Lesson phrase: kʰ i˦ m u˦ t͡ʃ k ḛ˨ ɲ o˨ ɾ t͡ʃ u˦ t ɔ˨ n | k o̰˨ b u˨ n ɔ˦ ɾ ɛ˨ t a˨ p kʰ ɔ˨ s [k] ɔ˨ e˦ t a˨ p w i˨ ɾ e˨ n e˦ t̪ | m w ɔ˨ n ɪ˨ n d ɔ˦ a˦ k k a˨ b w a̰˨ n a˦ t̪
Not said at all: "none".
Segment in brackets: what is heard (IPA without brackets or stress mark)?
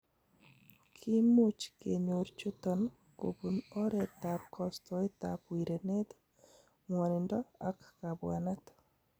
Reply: t